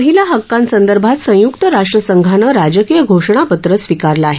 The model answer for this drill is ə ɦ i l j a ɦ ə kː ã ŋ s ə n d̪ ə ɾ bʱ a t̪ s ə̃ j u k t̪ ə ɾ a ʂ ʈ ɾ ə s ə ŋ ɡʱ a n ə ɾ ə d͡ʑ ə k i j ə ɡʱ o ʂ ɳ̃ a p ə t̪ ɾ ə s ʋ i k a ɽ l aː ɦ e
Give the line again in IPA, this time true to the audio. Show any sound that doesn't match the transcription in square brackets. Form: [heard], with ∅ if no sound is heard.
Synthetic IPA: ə ɦ i l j a ɦ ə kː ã [n] s ə n d̪ ə ɾ bʱ a t̪ s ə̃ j u k t̪ ə ɾ a ʂ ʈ ɾ ə s ə ŋ ɡʱ a n ə ɾ [a] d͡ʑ ə k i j ə ɡʱ o ʂ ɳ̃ a p ə t̪ ɾ ə s ʋ i k a [ɾ] l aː ɦ e